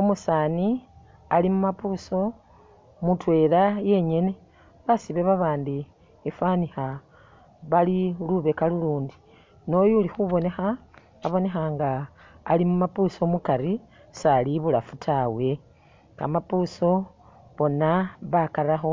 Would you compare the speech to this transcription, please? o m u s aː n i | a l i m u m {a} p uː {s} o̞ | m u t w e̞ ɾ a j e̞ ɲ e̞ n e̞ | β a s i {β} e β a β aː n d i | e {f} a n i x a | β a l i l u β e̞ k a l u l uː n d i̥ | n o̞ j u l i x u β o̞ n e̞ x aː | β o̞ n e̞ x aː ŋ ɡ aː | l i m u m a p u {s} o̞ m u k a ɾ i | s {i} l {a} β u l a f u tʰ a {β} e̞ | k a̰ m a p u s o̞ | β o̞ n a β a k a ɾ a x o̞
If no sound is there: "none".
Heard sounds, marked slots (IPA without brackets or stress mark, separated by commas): a, s, β, f, s, a, i, w